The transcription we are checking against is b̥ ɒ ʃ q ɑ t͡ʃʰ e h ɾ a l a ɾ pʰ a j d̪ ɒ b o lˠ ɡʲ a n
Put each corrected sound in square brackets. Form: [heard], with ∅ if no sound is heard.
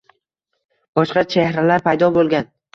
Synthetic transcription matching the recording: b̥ ɒ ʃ q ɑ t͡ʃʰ e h ɾ a l a ɾ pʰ a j d̪ ɒ b o lˠ ɡʲ a n